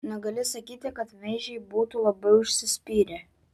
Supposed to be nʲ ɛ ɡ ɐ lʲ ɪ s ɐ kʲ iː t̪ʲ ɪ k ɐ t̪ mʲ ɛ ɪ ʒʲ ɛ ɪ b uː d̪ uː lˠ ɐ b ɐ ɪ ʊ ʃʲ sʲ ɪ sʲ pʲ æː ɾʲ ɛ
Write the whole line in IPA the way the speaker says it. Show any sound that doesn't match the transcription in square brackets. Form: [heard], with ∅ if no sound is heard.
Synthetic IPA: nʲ ɛ ɡ ɐ lʲ ɪ s ɐ kʲ iː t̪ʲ ɪ k ɐ t̪ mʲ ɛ ɪ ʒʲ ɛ ɪ b uː [t̪] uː lˠ ɐ b ɐ ɪ ʊ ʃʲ sʲ ɪ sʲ pʲ [iː] ɾʲ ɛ